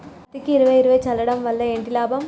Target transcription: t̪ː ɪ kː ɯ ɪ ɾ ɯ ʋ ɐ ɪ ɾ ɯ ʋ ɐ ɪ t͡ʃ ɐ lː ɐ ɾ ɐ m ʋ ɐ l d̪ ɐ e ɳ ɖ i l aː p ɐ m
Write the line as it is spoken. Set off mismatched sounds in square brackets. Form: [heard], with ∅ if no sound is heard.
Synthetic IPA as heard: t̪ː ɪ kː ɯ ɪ ɾ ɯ ʋ ɐ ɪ ɾ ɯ ʋ ɐ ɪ t͡ʃ ɐ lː ɐ [ɽ] ɐ m ʋ ɐ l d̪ ɐ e ɳ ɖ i l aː [b] ɐ m